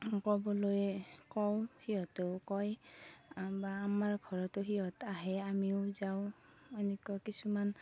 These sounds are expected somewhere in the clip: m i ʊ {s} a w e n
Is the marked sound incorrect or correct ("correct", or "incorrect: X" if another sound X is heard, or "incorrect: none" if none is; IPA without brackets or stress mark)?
incorrect: z